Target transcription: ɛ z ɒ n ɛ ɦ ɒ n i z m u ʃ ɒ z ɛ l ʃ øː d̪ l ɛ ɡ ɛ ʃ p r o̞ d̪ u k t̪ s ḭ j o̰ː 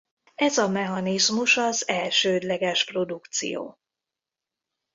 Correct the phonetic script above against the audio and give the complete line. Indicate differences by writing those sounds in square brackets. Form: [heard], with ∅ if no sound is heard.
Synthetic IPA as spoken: ɛ z ɒ [m] ɛ ɦ ɒ n i z m u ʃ ɒ z ɛ l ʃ øː d̪ l ɛ ɡ ɛ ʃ p r o̞ d̪ u k t̪ s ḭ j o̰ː

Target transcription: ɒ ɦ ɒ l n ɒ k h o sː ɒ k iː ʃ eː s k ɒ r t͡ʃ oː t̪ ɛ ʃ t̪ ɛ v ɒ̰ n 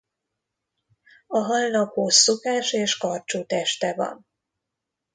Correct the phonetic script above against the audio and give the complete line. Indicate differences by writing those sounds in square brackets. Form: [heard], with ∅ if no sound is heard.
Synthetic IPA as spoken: ɒ ɦ ɒ l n ɒ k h o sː [o] k [aː] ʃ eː [ʃ] k ɒ r t͡ʃ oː t̪ ɛ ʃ t̪ ɛ v ɒ̰ n

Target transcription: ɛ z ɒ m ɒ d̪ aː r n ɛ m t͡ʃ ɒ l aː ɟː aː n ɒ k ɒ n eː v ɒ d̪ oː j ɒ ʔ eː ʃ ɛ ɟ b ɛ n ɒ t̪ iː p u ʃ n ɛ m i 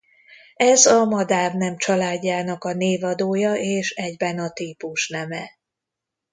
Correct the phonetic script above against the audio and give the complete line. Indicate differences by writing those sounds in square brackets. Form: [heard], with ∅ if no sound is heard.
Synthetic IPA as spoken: ɛ z ɒ m ɒ d̪ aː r n ɛ m t͡ʃ ɒ l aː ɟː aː n ɒ k ɒ n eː v ɒ d̪ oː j ɒ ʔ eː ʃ ɛ ɟ b ɛ n ɒ t̪ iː p u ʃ n ɛ m [ɛ]

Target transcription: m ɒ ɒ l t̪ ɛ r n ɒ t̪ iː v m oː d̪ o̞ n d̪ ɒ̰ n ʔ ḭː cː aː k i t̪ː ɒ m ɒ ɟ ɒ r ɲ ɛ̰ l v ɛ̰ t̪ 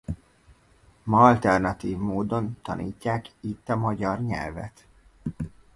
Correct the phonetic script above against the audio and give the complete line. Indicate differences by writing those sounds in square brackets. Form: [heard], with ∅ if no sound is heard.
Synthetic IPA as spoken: m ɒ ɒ l t̪ ɛ r n ɒ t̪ iː v m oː d̪ o̞ n [t̪] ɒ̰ n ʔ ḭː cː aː k i t̪ː ɒ m ɒ ɟ ɒ r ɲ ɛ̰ l v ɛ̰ t̪

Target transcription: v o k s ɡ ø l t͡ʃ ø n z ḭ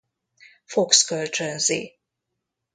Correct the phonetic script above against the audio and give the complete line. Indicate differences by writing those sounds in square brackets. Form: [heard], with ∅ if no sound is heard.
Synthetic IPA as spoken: [f] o k s [k] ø l t͡ʃ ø n z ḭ

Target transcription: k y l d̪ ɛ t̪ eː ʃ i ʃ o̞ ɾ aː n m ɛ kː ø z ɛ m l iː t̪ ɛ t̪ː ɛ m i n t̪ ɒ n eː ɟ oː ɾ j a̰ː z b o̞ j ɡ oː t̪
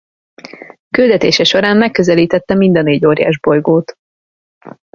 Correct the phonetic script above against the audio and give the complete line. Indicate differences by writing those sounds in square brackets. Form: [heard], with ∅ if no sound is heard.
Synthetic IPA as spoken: k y l d̪ ɛ t̪ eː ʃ [ɛ] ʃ o̞ ɾ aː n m ɛ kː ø z ɛ [∅] l iː t̪ ɛ t̪ː ɛ m i n [d̪] ɒ n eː ɟ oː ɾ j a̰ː [ʒ] b o̞ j ɡ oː t̪

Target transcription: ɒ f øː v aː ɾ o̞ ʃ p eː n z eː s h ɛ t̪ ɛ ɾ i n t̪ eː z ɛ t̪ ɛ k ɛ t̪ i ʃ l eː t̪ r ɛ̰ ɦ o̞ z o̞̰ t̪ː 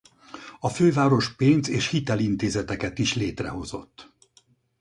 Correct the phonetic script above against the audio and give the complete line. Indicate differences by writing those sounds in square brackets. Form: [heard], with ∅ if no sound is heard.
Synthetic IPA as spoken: ɒ f øː v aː ɾ o̞ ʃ p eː n z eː [ʃ] h [i] t̪ ɛ [l] i n t̪ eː z ɛ t̪ ɛ k ɛ t̪ i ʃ l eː t̪ r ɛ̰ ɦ o̞ z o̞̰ t̪ː

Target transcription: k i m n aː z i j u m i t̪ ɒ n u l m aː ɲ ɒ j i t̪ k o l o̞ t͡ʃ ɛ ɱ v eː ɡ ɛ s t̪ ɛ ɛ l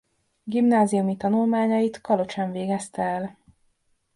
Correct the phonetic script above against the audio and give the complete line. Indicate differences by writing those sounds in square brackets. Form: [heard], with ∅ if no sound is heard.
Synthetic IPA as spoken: [ɡ] i m n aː z i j u m i t̪ ɒ n u l m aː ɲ ɒ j i t̪ k [ɒ] l o̞ t͡ʃ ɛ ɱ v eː ɡ ɛ s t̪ ɛ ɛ l

